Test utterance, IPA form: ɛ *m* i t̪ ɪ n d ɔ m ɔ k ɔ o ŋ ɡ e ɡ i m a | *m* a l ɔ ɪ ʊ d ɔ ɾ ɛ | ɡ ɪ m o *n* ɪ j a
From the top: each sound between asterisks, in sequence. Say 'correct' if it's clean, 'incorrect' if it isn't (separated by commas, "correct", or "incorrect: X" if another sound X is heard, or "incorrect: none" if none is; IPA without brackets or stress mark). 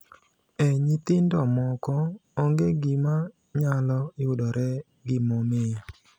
incorrect: ɲ, incorrect: ɲ, incorrect: m